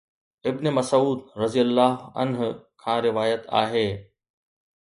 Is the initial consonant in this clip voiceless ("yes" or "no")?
no